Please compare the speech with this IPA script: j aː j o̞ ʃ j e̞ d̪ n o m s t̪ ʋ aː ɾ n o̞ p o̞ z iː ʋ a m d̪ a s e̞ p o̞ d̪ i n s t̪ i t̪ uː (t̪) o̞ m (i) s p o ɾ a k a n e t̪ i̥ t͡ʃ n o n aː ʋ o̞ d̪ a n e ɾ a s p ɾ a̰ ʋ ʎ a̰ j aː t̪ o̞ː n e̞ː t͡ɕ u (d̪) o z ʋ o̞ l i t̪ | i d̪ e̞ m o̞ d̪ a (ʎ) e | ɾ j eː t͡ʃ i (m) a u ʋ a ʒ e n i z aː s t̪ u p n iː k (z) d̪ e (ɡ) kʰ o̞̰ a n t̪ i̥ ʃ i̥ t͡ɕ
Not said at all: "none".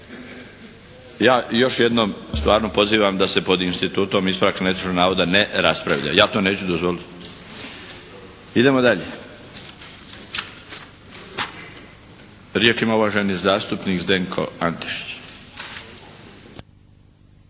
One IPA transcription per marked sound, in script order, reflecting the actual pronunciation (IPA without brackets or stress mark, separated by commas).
t̪, i, d̪, ʎ, m, z, ŋ